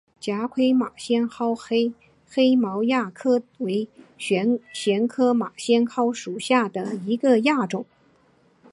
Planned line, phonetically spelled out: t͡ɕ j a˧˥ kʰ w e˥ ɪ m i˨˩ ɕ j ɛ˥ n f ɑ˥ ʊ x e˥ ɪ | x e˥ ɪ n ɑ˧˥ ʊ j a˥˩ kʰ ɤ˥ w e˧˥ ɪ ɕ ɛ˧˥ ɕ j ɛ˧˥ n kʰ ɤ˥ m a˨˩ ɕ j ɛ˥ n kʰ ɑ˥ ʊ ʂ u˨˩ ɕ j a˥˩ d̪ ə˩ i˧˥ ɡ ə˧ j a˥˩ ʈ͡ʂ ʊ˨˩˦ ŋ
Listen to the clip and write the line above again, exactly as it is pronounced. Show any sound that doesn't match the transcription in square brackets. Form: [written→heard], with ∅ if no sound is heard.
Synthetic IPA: t͡ɕ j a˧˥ kʰ w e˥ ɪ m [i˨˩→a˨˩] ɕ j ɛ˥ n [f→x] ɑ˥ ʊ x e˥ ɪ | x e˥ ɪ [n→m] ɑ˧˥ ʊ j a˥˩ kʰ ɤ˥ w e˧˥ ɪ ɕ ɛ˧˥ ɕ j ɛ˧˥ n kʰ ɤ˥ m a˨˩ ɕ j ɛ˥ n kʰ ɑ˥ ʊ ʂ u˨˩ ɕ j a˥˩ d̪ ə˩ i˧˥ ɡ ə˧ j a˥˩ ʈ͡ʂ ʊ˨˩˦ ŋ